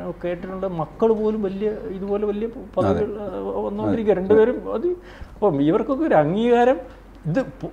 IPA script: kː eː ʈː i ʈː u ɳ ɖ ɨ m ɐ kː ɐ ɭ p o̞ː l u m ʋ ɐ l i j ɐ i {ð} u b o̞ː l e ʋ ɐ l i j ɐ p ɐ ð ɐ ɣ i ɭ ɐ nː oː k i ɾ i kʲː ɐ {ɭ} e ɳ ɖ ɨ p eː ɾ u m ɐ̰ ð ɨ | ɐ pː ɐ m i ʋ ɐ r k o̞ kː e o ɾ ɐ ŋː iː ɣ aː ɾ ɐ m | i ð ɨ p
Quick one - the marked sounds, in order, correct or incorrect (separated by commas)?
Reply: correct, incorrect